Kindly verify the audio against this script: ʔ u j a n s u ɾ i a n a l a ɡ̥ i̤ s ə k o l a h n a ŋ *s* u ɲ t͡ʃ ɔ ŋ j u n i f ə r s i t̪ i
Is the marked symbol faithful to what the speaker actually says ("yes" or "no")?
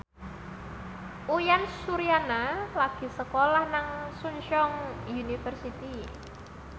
yes